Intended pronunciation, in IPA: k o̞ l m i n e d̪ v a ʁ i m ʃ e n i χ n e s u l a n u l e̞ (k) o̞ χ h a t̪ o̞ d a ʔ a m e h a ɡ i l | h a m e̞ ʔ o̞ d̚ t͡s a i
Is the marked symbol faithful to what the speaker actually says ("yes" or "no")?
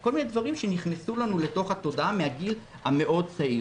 no